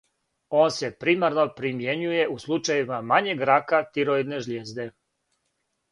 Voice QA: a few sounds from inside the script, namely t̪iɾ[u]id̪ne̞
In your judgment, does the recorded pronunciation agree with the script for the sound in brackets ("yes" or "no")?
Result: no